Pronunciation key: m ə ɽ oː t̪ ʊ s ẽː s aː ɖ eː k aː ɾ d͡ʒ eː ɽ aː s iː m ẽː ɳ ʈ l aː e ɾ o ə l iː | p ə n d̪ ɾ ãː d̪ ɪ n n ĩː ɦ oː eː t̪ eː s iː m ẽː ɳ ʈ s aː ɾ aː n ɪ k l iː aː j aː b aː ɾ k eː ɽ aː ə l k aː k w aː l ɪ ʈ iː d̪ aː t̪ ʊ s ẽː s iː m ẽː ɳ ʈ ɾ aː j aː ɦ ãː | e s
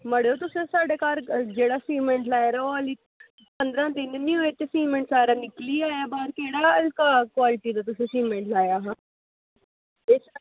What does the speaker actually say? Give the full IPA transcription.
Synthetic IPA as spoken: m ə ɽ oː t̪ ʊ s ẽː s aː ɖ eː k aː ɾ d͡ʒ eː ɽ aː s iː m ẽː ɳ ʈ l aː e ɾ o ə l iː | p ə n d̪ ɾ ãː d̪ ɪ n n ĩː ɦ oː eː t̪ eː s iː m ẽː ɳ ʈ s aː ɾ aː n ɪ k l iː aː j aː b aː ɾ k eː ɽ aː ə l k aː k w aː l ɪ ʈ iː d̪ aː t̪ ʊ s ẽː s iː m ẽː ɳ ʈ l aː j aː ɦ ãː | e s